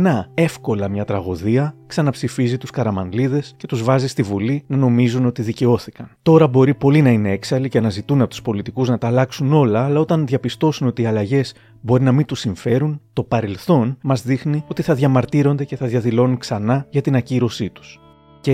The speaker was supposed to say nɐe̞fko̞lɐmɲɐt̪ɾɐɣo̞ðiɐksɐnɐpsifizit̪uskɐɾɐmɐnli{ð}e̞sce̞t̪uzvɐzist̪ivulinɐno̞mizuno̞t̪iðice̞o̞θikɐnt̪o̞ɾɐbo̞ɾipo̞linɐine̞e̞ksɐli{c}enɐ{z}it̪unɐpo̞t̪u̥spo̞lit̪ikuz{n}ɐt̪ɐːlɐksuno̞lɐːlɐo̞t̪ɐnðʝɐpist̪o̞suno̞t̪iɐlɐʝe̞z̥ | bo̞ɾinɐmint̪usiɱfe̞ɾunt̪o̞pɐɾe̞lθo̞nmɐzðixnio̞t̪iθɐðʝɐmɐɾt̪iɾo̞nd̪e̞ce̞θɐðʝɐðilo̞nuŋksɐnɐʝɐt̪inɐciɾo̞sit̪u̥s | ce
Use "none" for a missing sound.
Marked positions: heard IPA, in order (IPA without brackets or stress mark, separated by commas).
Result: ð, c, z, n